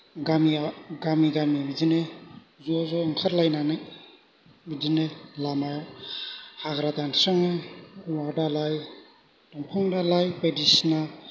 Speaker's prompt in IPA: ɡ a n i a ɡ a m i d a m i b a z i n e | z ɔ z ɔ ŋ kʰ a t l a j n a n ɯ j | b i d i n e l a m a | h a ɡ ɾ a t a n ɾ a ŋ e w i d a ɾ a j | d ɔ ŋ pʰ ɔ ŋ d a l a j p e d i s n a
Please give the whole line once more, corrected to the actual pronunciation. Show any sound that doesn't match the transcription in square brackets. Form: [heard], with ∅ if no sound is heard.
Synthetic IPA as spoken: ɡ a [m] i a ɡ a m i [ɡ] a m i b [i] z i n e | z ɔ z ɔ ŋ kʰ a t l a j n a n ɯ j | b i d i n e l a m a | h a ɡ ɾ a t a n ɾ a ŋ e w [a] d a [l] a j | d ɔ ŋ pʰ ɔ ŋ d a l a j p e d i s n a